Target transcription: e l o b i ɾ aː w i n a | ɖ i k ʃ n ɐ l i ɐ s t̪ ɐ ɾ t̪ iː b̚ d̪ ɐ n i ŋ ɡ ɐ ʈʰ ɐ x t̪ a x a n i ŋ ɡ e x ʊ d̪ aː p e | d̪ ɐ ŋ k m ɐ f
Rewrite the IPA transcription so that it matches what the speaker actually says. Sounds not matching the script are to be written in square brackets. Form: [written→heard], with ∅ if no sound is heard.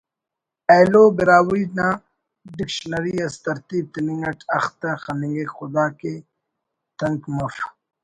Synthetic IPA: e l o b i ɾ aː w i n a | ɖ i k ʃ n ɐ [l→ɾ] i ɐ s t̪ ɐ ɾ t̪ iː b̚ [d̪→t̪] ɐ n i ŋ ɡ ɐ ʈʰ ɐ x t̪ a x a n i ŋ ɡ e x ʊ d̪ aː [p→k] e | [d̪→t̪] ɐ ŋ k m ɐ f